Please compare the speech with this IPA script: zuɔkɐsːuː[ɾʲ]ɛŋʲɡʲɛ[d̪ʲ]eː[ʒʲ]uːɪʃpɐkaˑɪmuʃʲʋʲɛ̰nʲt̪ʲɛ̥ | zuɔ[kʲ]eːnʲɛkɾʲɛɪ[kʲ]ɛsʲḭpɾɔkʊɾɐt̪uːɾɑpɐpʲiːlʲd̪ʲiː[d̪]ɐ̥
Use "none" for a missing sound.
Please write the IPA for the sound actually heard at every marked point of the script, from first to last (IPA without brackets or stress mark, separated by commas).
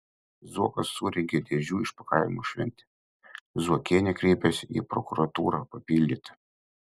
ɾʲ, d̪ʲ, ʒʲ, kʲ, pʲ, t̪